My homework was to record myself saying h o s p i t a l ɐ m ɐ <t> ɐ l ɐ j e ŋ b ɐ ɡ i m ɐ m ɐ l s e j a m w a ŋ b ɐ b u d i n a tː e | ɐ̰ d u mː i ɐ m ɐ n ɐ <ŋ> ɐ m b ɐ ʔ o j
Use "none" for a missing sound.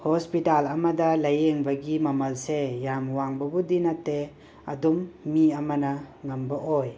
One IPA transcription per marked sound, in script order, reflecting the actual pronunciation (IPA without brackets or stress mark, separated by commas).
d, ŋ